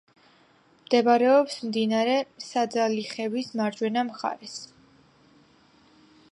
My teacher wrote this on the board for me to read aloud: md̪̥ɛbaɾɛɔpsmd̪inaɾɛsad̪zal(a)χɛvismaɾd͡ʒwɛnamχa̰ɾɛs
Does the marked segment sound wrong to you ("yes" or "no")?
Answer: yes